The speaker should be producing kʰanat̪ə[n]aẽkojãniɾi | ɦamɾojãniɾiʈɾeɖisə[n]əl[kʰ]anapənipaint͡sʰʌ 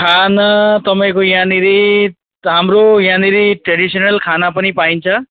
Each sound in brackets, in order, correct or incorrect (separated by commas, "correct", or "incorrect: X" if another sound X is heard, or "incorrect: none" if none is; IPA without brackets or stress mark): incorrect: m, correct, correct